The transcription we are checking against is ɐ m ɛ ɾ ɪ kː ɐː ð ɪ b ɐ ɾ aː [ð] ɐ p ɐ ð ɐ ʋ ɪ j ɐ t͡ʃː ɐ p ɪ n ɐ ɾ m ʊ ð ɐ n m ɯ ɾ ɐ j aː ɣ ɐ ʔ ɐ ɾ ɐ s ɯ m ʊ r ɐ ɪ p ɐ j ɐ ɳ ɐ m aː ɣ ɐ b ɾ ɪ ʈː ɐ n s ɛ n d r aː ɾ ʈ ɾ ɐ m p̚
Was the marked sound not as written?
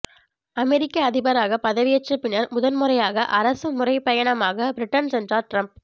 yes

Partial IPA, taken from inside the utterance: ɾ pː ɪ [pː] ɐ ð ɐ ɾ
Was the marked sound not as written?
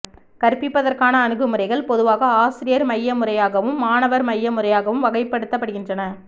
no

